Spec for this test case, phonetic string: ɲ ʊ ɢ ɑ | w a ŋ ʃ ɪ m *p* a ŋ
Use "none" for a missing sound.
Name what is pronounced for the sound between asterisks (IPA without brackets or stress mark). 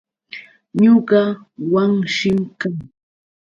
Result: k